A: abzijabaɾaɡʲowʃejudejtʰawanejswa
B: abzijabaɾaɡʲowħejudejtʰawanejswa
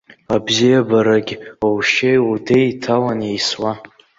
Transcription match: A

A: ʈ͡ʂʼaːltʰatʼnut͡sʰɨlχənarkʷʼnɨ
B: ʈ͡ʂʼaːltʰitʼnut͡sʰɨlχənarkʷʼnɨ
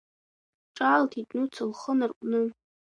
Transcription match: B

